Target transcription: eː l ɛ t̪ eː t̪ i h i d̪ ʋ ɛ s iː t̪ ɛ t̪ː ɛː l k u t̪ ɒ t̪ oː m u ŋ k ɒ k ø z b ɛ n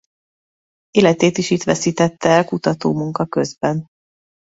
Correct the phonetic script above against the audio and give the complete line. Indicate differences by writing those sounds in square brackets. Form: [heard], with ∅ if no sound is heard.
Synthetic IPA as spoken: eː l ɛ t̪ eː t̪ i [ʃ] i [t̪] ʋ ɛ s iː t̪ ɛ t̪ː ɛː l k u t̪ ɒ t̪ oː m u ŋ k ɒ k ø z b ɛ n

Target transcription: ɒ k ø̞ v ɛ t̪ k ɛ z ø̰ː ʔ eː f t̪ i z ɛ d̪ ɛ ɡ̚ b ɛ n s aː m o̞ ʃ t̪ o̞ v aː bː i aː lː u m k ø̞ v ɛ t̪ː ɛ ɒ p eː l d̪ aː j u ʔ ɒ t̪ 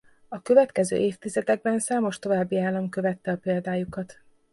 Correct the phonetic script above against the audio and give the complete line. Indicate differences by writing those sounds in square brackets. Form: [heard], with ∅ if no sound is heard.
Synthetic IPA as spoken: ɒ k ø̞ v ɛ t̪ k ɛ z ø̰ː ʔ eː f t̪ i z ɛ d̪ ɛ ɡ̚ b ɛ n s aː m o̞ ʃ t̪ o̞ v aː bː i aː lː [ɒ] m k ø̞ v ɛ t̪ː ɛ ɒ p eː l d̪ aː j u [k] ɒ t̪

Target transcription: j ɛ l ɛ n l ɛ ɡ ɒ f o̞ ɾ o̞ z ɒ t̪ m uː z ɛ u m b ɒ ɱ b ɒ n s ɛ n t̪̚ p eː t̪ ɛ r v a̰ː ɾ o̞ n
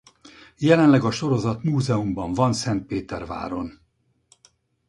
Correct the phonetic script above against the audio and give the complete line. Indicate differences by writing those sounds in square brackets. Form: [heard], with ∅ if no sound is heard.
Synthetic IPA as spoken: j ɛ l ɛ n l ɛ ɡ ɒ [ʃ] o̞ ɾ o̞ z ɒ t̪ m uː z ɛ u m b ɒ ɱ [v] ɒ n s ɛ n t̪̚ p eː t̪ ɛ r v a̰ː ɾ o̞ n

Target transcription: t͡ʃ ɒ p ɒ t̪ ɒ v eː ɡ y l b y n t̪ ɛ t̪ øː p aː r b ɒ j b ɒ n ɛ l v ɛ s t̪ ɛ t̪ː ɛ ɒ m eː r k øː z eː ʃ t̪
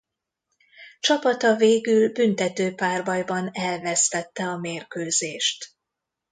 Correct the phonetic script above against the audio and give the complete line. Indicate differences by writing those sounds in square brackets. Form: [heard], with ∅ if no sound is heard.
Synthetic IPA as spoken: t͡ʃ ɒ p ɒ t̪ ɒ v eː ɡ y l b y n t̪ ɛ t̪ øː p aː r b ɒ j b ɒ n ɛ l v ɛ s t̪ ɛ t̪ː ɛ ɒ m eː r k øː z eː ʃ t̪

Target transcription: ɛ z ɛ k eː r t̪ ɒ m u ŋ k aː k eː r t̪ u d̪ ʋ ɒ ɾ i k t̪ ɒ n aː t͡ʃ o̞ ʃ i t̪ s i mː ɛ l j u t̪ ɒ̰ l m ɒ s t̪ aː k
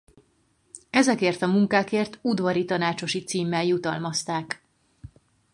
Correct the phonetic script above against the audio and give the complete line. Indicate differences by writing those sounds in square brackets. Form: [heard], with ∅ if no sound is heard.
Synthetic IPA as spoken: ɛ z ɛ k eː r t̪ ɒ m u ŋ k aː k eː r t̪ u d̪ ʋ ɒ ɾ i [∅] t̪ ɒ n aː t͡ʃ o̞ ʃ i t̪ s [iː] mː ɛ l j u t̪ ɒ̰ l m ɒ s t̪ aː k

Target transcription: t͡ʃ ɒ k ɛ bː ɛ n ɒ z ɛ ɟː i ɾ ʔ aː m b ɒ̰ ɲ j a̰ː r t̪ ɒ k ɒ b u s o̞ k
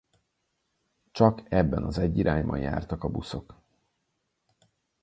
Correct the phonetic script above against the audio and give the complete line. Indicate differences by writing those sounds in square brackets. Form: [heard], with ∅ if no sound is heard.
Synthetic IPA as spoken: t͡ʃ ɒ k ɛ bː ɛ n ɒ z ɛ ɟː i ɾ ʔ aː [ɲ] b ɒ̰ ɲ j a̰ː r t̪ ɒ k ɒ b u s o̞ k

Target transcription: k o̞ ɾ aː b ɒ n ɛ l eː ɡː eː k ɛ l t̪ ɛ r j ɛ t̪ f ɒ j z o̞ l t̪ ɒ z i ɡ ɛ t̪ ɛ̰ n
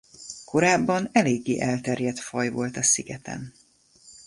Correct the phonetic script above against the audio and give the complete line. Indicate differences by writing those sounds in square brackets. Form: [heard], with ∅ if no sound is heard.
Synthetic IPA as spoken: k o̞ ɾ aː [bː] ɒ n ɛ l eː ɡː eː [ʔ] ɛ l t̪ ɛ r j ɛ t̪ f ɒ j [v] o̞ l t̪ ɒ [s] i ɡ ɛ t̪ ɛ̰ n

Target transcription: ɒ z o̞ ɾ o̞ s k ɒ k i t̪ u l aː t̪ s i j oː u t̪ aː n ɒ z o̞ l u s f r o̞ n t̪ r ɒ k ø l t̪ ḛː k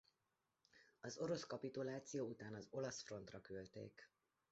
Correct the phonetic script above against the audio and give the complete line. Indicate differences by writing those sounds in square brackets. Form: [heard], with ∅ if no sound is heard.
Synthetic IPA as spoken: ɒ z o̞ ɾ o̞ s k ɒ [p] i t̪ u l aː t̪ s i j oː u t̪ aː n ɒ z o̞ l [ɒ] s f r o̞ n t̪ r ɒ k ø l t̪ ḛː k

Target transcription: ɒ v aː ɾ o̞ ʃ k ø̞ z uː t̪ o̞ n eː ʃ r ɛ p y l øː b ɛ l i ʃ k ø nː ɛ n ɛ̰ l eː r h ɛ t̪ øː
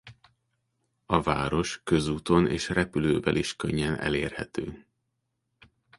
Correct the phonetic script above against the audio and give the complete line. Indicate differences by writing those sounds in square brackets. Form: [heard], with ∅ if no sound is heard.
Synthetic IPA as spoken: ɒ v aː ɾ o̞ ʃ k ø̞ z uː t̪ o̞ n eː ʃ r ɛ p y l øː [v] ɛ l i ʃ k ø [ɲː] ɛ n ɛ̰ l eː r h ɛ t̪ øː

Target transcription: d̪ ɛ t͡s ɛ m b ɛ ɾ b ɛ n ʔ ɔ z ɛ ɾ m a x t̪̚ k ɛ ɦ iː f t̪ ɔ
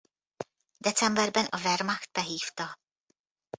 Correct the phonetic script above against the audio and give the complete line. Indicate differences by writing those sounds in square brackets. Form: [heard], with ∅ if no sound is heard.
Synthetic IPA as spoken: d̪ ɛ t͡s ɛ m b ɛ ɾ b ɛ n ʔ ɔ [v] ɛ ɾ m a x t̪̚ [p] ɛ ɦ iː f t̪ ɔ

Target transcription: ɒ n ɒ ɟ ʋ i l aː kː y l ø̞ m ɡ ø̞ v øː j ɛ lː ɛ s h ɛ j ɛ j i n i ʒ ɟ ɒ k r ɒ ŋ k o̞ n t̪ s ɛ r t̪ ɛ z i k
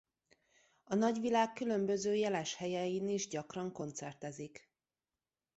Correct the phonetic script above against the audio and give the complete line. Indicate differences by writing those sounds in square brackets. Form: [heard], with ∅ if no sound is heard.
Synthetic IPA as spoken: ɒ n ɒ ɟ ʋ i l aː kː y l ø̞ m [b] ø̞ [z] øː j ɛ [l] ɛ [ʃ] h ɛ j ɛ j i n i ʒ ɟ ɒ k r ɒ ŋ k o̞ n t̪ s ɛ r t̪ ɛ z i k

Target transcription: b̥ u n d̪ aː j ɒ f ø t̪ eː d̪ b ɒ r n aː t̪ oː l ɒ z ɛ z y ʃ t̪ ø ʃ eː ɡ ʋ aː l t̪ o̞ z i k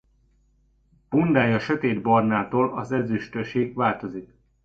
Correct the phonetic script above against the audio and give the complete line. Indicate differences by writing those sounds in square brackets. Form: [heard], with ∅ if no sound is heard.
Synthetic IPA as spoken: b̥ u n d̪ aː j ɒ [ʃ] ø t̪ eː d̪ b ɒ r n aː t̪ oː l ɒ z ɛ z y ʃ t̪ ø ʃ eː ɡ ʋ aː l t̪ o̞ z i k

